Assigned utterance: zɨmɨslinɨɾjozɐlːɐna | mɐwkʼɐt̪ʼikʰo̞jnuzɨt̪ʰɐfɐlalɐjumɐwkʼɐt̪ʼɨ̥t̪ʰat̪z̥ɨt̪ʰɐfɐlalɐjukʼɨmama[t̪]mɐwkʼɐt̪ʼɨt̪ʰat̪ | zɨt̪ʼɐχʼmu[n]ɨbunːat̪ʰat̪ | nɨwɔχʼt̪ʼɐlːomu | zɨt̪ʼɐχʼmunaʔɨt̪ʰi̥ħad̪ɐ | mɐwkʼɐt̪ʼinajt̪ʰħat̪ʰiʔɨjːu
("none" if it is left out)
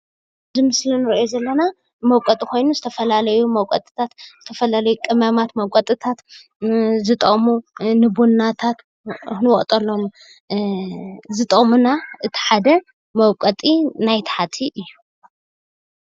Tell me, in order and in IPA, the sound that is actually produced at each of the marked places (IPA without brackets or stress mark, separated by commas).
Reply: t̪, n